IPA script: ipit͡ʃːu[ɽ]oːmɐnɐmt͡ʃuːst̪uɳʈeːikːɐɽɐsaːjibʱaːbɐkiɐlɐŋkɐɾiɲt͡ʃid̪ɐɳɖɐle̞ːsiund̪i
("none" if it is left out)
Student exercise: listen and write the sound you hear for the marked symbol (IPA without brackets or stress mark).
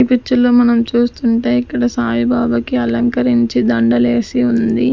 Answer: l